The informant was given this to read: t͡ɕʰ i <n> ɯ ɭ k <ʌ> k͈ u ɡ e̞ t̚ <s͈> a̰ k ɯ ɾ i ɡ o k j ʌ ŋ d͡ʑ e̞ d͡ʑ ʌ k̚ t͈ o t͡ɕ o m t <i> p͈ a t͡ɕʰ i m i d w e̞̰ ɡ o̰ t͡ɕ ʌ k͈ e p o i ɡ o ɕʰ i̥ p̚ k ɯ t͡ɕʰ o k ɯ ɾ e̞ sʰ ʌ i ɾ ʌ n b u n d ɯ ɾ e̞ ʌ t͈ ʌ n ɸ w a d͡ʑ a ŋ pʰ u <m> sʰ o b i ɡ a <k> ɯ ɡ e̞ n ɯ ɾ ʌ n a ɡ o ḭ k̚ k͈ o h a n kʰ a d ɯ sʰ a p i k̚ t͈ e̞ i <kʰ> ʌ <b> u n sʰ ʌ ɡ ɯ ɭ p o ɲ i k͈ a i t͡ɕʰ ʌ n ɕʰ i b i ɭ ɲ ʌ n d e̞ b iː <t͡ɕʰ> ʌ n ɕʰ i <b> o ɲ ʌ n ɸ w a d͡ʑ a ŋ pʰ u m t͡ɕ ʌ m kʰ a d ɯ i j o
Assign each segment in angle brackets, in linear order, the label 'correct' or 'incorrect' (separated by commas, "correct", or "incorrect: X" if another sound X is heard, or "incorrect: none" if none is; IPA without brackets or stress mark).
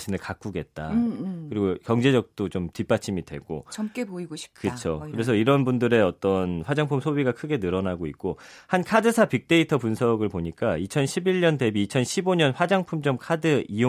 correct, incorrect: a, incorrect: t͈, correct, correct, incorrect: kʰ, incorrect: tʰ, incorrect: p, correct, correct